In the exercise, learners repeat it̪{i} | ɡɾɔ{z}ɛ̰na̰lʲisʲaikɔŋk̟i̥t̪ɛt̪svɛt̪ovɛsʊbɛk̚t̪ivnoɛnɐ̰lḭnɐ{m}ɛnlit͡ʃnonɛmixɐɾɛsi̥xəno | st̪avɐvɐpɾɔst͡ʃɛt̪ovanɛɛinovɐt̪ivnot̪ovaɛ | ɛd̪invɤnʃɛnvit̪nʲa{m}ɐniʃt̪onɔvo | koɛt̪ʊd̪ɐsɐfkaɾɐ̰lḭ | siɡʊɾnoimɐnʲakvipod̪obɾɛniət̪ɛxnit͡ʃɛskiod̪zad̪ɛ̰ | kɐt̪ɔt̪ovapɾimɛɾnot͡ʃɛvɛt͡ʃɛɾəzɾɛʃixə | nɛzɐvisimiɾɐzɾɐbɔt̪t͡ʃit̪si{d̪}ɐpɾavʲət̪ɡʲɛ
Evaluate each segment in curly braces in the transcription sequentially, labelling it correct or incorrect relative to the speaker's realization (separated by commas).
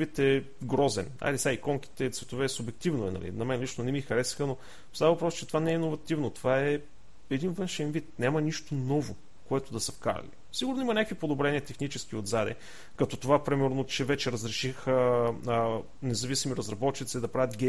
incorrect, correct, correct, correct, correct